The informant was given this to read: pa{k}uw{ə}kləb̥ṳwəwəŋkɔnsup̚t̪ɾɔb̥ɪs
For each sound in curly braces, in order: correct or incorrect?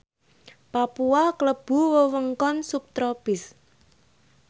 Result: incorrect: p, incorrect: a

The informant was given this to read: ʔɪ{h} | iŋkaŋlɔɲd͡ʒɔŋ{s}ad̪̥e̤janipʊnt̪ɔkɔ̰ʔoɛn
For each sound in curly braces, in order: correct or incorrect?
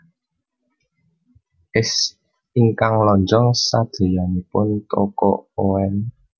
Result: incorrect: s, correct

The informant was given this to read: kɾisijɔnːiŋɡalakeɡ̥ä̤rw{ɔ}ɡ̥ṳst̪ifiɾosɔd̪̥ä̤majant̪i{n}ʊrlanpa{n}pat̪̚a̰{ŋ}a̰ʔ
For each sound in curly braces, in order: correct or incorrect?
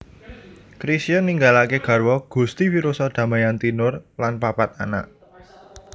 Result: correct, correct, incorrect: none, incorrect: n

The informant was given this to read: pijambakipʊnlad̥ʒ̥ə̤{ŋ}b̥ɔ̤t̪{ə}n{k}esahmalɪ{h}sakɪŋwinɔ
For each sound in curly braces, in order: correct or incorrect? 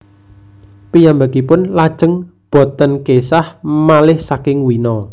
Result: correct, correct, correct, correct

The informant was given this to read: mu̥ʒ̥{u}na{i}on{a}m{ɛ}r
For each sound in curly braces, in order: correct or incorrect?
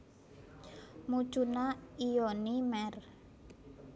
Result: correct, correct, incorrect: i, correct

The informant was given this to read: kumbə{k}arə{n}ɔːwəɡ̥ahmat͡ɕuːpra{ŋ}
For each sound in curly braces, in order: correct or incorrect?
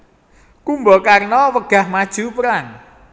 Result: correct, correct, correct

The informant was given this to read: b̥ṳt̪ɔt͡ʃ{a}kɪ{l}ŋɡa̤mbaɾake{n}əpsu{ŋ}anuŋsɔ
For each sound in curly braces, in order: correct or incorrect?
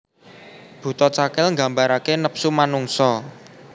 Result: correct, correct, correct, incorrect: m

